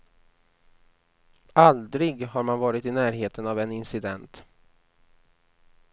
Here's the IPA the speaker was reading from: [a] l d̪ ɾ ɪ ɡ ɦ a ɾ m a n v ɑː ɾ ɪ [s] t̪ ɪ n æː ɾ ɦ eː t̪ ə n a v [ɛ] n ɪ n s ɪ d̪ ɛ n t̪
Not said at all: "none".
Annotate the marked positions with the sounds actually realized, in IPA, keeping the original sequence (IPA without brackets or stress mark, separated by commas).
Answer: a, none, ɛ